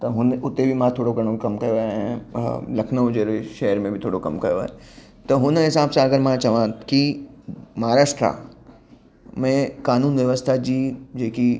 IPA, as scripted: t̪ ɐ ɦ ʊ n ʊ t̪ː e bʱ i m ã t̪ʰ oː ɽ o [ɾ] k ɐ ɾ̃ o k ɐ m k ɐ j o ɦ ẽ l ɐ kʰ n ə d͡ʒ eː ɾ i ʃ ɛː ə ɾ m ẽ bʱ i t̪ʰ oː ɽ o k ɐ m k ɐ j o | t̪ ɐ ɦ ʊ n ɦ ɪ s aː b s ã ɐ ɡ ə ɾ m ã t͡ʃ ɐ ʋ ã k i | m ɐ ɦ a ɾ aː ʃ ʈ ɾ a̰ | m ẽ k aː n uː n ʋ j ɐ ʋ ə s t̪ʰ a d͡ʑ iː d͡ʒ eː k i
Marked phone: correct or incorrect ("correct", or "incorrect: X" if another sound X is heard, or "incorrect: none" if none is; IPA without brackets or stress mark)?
incorrect: none